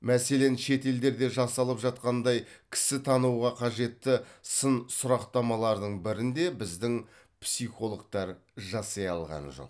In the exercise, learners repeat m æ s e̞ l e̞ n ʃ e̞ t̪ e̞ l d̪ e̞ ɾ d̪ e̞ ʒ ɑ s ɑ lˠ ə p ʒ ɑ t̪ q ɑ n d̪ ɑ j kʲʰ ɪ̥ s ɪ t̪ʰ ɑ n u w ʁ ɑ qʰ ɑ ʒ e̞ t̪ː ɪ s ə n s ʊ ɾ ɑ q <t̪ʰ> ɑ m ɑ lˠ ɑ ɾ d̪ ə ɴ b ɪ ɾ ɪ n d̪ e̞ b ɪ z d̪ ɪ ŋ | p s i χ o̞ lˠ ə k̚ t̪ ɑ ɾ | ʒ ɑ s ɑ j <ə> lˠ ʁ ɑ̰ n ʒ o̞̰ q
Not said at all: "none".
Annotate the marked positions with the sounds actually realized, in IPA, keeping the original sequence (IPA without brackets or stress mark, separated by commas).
t̪, ɑ